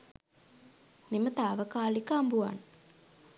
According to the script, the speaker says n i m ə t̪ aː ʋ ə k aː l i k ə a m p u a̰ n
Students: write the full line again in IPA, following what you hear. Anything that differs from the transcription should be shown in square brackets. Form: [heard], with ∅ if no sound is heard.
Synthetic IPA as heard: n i m ə t̪ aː ʋ ə k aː l i k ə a m [b] u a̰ n